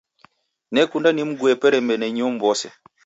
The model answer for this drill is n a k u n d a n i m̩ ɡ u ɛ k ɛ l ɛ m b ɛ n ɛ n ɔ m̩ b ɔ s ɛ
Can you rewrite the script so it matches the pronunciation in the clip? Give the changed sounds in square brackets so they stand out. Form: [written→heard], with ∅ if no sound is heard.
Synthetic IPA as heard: n [a→ɛ] k u n d a n i m̩ ɡ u ɛ [k→p] ɛ [l→ɾ] ɛ m b ɛ n ɛ [n→ɲ] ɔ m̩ b ɔ s ɛ

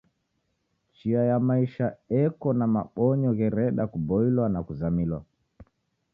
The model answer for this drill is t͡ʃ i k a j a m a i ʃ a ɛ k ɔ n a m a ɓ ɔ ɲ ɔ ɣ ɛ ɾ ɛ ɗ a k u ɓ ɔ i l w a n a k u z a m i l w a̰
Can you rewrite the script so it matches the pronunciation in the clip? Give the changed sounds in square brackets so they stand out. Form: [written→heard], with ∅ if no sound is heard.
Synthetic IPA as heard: t͡ʃ i [k→∅] a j a m a i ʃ a ɛ k ɔ n a m a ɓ ɔ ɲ ɔ ɣ ɛ ɾ ɛ ɗ a k u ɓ ɔ i l w a n a k u z a m i l w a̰

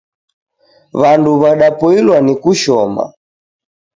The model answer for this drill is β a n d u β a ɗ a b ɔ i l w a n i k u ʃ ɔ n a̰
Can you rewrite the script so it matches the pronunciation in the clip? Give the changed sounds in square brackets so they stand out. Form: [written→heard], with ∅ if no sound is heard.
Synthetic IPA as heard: β a n d u β a ɗ a [b→p] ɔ i l w a n i k u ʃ ɔ [n→m] a̰

